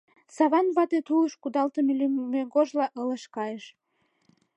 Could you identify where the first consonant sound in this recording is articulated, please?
alveolar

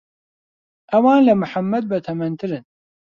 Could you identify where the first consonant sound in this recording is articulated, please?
glottal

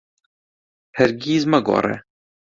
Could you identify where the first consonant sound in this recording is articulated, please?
glottal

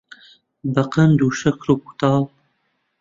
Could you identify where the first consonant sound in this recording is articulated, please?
labial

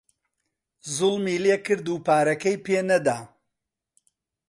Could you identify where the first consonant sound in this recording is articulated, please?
alveolar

